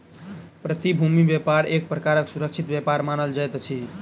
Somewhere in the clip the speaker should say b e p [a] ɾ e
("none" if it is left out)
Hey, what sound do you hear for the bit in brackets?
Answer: a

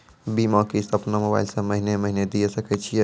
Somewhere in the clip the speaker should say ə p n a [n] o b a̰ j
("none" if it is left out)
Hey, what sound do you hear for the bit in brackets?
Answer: m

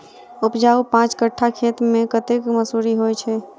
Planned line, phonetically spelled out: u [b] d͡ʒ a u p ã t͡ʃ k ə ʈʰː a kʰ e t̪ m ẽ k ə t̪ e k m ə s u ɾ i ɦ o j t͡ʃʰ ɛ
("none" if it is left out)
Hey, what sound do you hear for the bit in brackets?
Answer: p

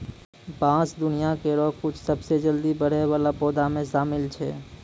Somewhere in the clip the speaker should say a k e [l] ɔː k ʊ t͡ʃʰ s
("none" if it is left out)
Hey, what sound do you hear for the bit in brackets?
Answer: ɾ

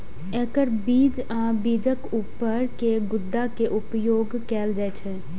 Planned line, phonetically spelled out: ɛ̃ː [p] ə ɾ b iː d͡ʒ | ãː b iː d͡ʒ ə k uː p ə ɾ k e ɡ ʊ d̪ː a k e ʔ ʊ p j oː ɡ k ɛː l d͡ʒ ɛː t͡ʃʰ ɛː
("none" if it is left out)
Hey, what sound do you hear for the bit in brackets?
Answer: k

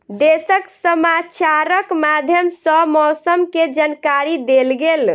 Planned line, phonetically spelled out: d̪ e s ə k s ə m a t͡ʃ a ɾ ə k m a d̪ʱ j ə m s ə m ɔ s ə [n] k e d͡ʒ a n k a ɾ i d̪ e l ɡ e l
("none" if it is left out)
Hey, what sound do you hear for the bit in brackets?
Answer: m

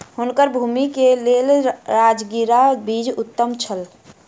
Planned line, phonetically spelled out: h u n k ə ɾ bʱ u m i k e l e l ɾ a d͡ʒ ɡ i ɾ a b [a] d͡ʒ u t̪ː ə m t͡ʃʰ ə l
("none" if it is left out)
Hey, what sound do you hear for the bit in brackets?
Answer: i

